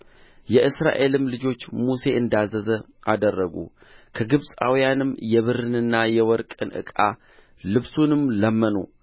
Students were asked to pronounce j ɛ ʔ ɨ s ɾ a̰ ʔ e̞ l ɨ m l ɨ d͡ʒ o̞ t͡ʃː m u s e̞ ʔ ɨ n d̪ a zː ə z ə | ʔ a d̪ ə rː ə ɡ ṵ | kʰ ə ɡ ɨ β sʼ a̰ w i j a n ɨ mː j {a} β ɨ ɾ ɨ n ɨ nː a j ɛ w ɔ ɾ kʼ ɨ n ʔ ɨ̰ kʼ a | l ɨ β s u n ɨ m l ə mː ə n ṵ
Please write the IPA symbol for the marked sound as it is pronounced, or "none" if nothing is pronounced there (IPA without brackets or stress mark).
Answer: ɛ